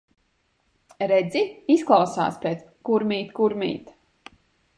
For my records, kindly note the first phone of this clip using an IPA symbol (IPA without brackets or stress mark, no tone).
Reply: ɾ